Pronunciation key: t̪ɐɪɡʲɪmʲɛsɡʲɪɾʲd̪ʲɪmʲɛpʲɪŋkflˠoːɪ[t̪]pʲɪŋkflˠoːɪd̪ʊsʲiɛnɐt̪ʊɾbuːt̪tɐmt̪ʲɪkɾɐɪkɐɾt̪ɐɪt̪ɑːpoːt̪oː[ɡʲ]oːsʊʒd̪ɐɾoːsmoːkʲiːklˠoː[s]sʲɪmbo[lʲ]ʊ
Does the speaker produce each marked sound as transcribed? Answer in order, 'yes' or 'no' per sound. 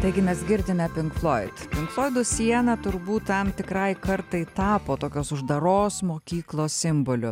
yes, no, yes, yes

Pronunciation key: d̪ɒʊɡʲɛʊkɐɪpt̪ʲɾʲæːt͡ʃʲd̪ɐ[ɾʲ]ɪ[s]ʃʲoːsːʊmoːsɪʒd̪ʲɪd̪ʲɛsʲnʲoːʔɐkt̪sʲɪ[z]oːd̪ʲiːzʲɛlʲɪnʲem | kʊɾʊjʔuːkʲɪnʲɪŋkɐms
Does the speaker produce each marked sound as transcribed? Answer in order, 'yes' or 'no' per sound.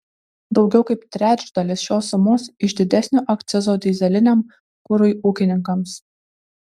no, yes, yes

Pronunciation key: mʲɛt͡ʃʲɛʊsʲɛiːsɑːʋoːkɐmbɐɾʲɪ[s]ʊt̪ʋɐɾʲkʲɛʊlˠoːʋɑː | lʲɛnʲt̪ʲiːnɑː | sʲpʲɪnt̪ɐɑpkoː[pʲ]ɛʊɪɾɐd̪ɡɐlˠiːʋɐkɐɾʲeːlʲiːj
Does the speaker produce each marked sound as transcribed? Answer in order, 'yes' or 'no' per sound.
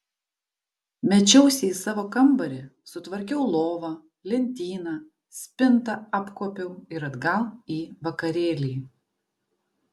yes, yes

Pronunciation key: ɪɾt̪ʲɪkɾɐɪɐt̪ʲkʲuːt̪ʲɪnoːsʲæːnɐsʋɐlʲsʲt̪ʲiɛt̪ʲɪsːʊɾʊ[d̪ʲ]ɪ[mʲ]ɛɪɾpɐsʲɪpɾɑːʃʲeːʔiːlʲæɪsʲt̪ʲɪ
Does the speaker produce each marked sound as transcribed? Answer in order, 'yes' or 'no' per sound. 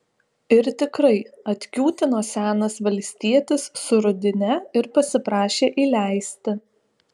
yes, no

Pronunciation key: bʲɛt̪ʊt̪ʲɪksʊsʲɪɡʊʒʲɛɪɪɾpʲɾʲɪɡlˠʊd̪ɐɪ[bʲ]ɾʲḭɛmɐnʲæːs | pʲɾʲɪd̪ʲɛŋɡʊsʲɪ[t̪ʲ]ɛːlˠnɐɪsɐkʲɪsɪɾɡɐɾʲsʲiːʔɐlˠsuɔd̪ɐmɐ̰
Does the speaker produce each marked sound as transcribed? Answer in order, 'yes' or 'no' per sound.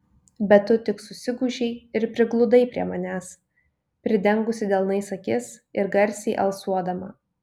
no, no

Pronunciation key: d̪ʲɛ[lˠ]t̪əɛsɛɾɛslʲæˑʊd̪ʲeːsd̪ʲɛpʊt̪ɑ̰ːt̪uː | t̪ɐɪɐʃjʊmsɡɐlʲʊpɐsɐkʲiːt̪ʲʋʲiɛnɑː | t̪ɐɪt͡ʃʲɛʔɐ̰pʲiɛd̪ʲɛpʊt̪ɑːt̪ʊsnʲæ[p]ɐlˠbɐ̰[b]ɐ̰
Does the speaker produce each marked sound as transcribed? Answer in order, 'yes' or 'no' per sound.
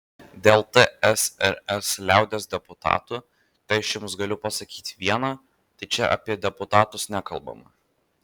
yes, no, no

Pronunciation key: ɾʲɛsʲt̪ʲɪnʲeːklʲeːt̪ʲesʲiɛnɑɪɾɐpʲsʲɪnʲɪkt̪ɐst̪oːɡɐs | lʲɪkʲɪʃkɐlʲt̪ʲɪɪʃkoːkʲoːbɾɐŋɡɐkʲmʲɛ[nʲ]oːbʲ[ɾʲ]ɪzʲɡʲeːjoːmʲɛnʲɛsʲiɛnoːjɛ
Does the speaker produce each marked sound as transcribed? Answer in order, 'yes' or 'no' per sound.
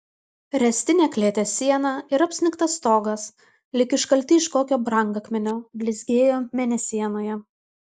yes, no

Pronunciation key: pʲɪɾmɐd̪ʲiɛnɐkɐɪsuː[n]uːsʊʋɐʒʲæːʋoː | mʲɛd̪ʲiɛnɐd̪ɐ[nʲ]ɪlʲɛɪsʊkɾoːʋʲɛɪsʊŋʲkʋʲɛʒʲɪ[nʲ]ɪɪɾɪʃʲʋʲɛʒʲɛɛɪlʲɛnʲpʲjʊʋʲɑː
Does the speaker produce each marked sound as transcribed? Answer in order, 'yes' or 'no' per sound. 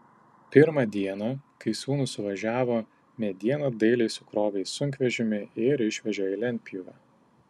yes, no, no

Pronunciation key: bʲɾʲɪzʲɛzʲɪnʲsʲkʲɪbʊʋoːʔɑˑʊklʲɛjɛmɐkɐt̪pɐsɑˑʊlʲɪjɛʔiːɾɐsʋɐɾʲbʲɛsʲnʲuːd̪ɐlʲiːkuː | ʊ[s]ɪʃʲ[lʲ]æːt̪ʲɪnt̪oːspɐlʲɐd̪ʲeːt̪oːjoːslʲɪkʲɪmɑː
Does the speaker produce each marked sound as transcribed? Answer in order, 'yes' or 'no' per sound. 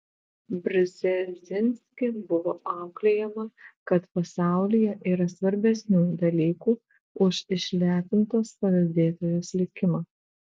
no, yes

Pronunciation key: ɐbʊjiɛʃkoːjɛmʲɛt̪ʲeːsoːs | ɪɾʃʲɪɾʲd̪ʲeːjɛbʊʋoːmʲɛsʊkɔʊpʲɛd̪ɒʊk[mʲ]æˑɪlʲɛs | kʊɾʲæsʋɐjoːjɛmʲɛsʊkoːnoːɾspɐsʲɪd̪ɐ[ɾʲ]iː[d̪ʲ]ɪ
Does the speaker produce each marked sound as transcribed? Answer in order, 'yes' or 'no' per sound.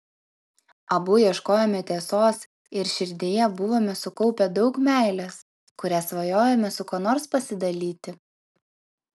yes, no, no

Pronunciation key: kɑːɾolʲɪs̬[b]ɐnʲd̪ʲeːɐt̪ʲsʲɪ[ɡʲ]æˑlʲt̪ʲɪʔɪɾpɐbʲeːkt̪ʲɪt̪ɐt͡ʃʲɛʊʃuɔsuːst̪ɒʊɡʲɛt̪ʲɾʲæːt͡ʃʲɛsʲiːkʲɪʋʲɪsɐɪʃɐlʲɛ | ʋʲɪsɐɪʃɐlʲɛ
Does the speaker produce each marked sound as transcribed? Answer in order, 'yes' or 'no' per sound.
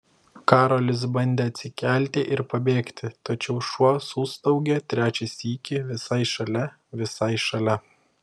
yes, no

